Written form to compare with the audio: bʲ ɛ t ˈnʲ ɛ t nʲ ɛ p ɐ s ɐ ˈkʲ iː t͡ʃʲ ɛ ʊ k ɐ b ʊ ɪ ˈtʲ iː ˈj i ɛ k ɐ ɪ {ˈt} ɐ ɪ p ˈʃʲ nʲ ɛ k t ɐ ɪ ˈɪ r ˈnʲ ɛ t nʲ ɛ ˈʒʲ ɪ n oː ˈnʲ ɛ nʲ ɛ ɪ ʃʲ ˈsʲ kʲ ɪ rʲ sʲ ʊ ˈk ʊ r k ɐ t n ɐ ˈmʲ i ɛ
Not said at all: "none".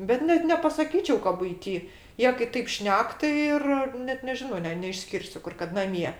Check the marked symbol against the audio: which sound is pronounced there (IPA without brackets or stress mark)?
t